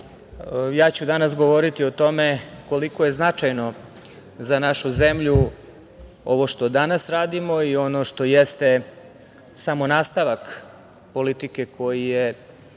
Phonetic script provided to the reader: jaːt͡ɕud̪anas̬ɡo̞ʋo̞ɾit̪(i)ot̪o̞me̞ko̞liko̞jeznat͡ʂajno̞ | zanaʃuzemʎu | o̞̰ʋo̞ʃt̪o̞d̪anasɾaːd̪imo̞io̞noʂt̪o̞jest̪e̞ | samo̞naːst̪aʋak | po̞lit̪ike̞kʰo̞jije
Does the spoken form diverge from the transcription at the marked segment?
no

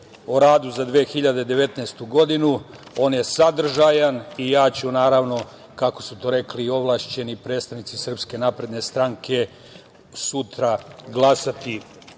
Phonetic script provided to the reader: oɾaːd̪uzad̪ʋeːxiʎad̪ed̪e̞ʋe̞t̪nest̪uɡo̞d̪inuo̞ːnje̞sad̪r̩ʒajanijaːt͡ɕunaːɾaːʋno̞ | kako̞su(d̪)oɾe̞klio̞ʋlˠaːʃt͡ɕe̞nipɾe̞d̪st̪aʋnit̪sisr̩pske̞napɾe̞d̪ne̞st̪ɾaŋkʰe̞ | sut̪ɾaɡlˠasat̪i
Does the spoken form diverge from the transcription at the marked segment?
yes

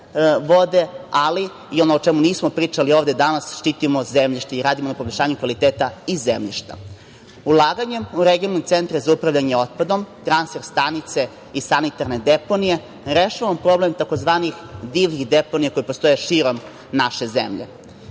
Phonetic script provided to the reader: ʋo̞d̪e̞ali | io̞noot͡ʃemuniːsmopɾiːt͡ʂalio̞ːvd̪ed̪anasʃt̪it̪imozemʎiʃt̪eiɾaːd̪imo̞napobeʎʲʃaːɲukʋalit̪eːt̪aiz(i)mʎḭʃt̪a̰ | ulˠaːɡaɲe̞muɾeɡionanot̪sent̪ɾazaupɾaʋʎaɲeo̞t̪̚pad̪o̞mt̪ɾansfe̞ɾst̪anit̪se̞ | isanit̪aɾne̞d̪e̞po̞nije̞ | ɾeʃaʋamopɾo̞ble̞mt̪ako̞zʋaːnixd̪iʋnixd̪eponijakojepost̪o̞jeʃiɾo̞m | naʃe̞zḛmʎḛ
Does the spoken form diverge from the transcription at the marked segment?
yes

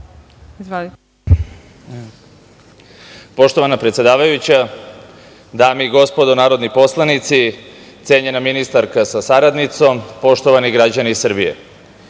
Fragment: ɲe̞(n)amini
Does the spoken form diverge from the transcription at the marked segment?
no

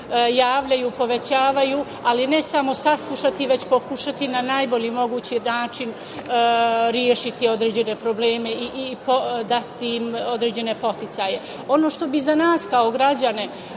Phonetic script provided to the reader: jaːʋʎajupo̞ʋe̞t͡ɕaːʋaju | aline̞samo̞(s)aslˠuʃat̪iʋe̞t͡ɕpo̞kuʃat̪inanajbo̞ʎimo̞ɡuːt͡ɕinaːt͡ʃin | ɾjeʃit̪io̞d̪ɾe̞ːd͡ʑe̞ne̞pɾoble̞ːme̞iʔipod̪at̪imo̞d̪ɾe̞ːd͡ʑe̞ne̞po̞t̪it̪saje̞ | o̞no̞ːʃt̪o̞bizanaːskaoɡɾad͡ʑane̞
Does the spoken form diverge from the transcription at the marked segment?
no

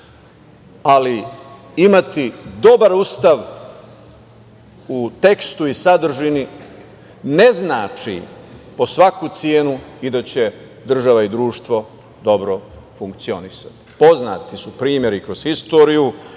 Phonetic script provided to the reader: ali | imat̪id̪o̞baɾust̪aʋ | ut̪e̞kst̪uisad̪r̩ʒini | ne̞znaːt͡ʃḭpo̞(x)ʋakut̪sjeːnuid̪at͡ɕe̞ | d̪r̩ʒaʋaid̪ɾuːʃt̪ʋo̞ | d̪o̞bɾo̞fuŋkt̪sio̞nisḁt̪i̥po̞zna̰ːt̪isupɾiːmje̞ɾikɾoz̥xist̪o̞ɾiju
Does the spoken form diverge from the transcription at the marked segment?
yes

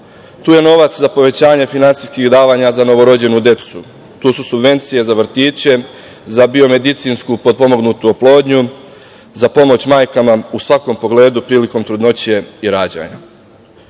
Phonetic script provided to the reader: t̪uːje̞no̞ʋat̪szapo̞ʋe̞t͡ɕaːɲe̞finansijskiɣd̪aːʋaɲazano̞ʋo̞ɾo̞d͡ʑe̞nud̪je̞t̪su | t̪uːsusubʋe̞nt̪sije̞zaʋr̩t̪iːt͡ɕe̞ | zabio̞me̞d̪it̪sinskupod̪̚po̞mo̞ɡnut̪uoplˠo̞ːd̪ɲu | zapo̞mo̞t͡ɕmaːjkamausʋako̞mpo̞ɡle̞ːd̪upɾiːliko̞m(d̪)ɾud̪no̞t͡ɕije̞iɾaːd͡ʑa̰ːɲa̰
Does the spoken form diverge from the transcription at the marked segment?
yes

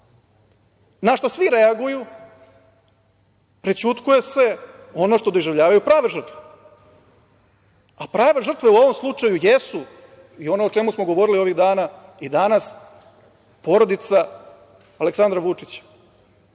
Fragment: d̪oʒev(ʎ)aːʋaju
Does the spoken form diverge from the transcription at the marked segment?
no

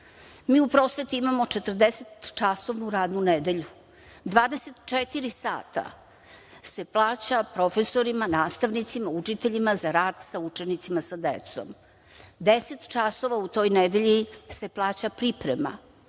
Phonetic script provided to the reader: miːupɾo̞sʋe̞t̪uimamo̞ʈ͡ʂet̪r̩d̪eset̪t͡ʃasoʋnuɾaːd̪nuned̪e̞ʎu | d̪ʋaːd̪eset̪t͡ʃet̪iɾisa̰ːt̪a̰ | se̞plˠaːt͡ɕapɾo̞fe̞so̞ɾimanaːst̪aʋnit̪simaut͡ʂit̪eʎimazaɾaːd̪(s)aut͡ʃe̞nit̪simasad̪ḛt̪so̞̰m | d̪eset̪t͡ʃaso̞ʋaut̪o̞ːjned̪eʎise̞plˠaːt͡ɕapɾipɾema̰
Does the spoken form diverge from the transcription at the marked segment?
no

